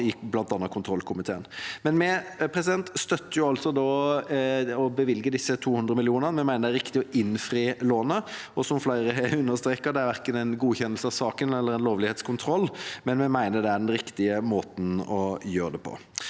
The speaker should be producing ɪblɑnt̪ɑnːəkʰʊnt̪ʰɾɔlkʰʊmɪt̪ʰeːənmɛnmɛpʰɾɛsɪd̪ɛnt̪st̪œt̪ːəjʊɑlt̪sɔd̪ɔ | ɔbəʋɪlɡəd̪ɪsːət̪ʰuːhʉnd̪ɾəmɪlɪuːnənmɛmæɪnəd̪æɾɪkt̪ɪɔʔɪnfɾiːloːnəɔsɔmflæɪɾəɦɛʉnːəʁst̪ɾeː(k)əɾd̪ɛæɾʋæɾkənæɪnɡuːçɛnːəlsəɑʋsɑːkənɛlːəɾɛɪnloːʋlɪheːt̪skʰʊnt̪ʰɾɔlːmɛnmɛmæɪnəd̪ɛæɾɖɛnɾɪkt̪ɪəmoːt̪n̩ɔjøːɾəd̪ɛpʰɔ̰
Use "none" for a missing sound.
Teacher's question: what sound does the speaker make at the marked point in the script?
k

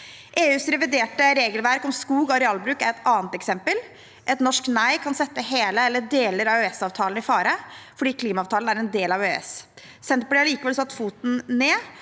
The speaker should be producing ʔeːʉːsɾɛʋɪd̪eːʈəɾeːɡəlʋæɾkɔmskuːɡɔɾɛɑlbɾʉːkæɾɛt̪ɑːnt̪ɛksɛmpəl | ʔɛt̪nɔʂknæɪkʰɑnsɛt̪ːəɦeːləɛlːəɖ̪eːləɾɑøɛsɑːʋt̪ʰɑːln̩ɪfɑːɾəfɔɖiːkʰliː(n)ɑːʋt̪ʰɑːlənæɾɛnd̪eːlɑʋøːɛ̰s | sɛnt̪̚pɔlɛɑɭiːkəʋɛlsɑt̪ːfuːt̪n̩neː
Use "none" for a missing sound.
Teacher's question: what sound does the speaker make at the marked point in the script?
m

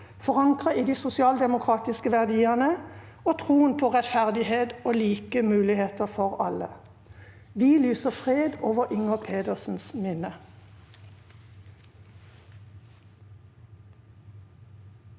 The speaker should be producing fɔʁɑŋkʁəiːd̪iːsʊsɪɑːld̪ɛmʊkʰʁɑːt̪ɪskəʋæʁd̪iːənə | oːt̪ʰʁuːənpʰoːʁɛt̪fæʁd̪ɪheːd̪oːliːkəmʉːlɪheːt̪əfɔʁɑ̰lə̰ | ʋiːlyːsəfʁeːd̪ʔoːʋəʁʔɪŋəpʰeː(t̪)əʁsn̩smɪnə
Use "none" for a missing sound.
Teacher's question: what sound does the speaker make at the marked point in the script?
d̪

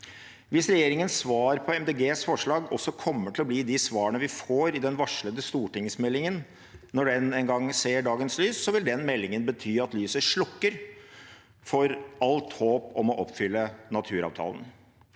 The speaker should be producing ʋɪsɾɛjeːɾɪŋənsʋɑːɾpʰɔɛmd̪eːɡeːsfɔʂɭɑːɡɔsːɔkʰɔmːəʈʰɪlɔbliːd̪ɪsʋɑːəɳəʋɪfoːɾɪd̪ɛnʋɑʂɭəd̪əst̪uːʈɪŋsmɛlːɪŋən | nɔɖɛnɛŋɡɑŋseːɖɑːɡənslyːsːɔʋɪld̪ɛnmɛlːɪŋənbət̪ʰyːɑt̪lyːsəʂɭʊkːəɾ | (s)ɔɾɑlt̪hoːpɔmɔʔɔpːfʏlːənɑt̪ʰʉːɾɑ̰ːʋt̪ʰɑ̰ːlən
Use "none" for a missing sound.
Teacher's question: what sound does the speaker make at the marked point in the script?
f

